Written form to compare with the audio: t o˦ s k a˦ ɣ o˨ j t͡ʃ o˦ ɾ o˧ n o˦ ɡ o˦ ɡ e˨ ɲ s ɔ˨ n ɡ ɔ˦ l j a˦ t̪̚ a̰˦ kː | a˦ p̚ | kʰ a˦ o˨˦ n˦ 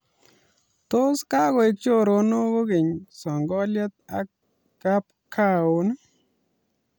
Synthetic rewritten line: t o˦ s k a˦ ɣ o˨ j t͡ʃ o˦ ɾ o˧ n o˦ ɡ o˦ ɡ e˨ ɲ s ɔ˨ ŋ ɡ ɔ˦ l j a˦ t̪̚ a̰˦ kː | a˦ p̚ | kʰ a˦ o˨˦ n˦